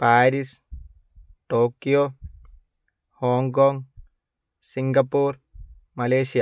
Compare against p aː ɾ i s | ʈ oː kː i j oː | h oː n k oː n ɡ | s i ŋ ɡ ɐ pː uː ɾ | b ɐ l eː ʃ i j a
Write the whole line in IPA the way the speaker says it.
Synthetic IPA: p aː ɾ i s | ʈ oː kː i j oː | h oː ŋ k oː ŋ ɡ | s i ŋ ɡ ɐ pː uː ɾ | m ɐ l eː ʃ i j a